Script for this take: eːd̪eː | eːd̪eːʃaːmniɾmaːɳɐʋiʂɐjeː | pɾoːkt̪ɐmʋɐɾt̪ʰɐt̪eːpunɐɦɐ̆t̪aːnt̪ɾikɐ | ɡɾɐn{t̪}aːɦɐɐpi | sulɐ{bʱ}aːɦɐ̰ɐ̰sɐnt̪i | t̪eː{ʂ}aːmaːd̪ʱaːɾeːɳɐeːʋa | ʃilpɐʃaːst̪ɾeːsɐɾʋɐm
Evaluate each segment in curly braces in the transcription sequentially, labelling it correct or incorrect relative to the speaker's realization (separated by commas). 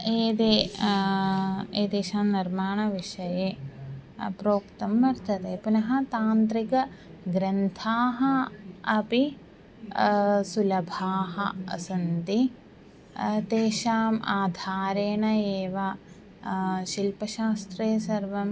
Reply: incorrect, correct, incorrect